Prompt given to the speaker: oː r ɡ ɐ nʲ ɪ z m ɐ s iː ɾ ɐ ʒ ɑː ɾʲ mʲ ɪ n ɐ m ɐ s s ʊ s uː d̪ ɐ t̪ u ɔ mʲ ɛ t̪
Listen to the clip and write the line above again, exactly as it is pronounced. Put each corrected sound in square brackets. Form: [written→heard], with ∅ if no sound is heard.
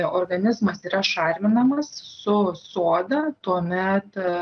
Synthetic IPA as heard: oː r ɡ ɐ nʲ ɪ z m ɐ s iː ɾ ɐ [ʒ→ʃ] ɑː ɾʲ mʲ ɪ n ɐ m ɐ s s ʊ s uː d̪ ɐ t̪ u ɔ mʲ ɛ t̪

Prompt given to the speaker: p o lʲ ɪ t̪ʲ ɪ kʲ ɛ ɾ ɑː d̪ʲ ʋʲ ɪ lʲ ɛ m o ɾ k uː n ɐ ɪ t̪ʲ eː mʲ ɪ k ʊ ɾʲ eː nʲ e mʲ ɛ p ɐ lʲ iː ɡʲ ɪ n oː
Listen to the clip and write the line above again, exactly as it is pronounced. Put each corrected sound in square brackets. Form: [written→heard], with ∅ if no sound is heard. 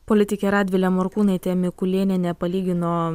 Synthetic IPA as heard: p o lʲ ɪ t̪ʲ ɪ kʲ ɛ ɾ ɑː d̪ʲ ʋʲ ɪ lʲ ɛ m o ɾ k uː n ɐ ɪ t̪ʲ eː mʲ ɪ k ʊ [ɾʲ→lʲ] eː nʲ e [mʲ→nʲ] ɛ p ɐ lʲ iː ɡʲ ɪ n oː

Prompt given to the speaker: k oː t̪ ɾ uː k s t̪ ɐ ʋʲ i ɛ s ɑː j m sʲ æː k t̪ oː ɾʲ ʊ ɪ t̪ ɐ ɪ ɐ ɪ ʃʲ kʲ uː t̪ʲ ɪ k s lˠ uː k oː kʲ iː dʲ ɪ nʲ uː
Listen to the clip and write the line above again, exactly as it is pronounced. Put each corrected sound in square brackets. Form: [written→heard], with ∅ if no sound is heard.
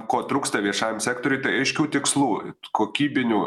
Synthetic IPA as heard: k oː t̪ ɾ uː k s t̪ ɐ ʋʲ i ɛ [s→ʃ] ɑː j m sʲ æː k t̪ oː ɾʲ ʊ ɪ t̪ ɐ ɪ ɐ ɪ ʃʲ kʲ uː t̪ʲ ɪ k s lˠ uː k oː kʲ iː [dʲ→bʲ] ɪ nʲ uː

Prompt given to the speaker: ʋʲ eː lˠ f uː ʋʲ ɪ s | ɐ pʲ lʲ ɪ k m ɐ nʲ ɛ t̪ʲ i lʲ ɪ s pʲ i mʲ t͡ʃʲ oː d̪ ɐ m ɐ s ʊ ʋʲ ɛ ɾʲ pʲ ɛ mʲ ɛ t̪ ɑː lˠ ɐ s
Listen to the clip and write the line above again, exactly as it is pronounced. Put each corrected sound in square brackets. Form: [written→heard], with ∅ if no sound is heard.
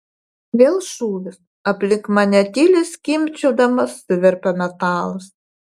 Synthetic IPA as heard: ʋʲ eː lˠ [f→ʃ] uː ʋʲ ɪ s | ɐ pʲ lʲ ɪ k m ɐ nʲ ɛ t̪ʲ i lʲ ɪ s [pʲ→kʲ] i mʲ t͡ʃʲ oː d̪ ɐ m ɐ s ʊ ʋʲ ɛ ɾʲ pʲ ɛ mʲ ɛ t̪ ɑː lˠ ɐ s

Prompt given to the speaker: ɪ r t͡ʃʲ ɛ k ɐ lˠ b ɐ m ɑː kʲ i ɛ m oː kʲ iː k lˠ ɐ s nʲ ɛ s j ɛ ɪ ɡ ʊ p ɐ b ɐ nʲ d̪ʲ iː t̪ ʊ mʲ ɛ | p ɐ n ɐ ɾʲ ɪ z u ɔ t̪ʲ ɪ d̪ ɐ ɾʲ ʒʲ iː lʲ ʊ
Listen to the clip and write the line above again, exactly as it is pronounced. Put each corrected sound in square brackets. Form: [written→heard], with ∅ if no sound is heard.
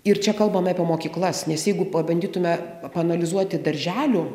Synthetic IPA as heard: ɪ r t͡ʃʲ ɛ k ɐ lˠ b ɐ m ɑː [kʲ→pʲ] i ɛ m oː kʲ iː k lˠ ɐ s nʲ ɛ s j ɛ ɪ ɡ ʊ p ɐ b ɐ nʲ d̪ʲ iː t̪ ʊ mʲ ɛ | p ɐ n ɐ [ɾʲ→lʲ] ɪ z u ɔ t̪ʲ ɪ d̪ ɐ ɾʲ ʒʲ [iː→æː] lʲ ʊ

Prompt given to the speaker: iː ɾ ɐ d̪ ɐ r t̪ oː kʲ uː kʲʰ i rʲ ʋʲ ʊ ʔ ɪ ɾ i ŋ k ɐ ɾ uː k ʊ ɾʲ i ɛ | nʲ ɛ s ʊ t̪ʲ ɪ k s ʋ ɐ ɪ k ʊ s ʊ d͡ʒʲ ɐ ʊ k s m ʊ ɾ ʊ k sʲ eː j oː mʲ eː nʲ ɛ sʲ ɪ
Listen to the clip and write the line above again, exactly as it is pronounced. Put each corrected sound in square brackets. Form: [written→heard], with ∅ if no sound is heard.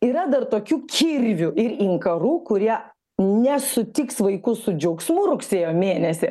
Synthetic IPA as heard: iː ɾ ɐ d̪ ɐ r t̪ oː kʲ uː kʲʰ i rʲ ʋʲ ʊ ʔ ɪ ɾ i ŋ k ɐ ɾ uː k ʊ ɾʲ i ɛ | nʲ ɛ s ʊ t̪ʲ ɪ k s ʋ ɐ ɪ k ʊ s ʊ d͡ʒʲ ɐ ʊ k s m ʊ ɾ ʊ k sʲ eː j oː mʲ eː nʲ ɛ sʲ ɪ

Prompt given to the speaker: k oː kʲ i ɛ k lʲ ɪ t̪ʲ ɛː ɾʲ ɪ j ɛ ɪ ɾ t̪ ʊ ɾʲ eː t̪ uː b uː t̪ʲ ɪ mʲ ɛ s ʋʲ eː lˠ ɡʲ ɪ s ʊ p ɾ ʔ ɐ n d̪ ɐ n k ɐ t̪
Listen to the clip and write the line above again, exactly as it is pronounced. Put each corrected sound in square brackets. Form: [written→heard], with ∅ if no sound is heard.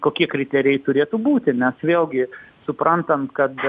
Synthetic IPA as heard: k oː kʲ i ɛ k [lʲ→ɾʲ] ɪ t̪ʲ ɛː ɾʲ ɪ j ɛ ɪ [ɾ→∅] t̪ ʊ ɾʲ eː t̪ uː b uː t̪ʲ ɪ [mʲ→nʲ] ɛ s ʋʲ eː lˠ ɡʲ ɪ s ʊ p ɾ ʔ ɐ n [d̪→t̪] ɐ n k ɐ t̪

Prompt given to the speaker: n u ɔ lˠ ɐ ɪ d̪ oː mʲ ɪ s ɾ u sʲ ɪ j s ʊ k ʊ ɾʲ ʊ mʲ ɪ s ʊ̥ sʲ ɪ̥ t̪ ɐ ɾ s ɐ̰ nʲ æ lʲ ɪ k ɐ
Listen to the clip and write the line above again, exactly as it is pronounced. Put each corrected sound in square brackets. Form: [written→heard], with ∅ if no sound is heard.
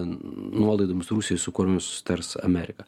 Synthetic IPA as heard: n u ɔ lˠ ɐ ɪ d̪ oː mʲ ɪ s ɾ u sʲ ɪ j s ʊ k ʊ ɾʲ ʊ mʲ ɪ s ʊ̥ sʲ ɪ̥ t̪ ɐ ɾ s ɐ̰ [nʲ→mʲ] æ [lʲ→ɾʲ] ɪ k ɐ

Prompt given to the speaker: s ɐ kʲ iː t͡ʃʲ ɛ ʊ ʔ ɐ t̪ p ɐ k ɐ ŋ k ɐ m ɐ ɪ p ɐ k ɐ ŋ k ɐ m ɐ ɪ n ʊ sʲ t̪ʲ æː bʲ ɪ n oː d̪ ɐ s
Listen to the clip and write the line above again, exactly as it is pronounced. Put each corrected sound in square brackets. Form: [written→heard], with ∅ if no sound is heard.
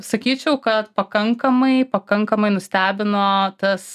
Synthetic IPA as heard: s ɐ kʲ iː t͡ʃʲ ɛ ʊ [ʔ→k] ɐ t̪ p ɐ k ɐ ŋ k ɐ m ɐ ɪ p ɐ k ɐ ŋ k ɐ m ɐ ɪ n ʊ sʲ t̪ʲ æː bʲ ɪ n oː [d̪→t̪] ɐ s

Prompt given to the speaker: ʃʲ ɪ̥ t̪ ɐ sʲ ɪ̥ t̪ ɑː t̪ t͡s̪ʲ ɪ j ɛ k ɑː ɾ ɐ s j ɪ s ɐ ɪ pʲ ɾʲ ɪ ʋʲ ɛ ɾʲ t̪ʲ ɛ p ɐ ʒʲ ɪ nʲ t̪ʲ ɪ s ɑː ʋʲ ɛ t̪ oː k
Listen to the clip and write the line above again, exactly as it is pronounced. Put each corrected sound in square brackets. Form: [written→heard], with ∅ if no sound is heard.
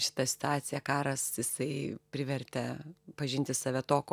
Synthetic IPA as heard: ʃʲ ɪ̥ t̪ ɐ sʲ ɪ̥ t̪ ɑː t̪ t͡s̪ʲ ɪ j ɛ k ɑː ɾ ɐ s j ɪ s ɐ ɪ pʲ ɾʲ ɪ ʋʲ ɛ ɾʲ t̪ʲ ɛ p ɐ ʒʲ ɪ nʲ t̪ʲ ɪ s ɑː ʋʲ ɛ t̪ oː k

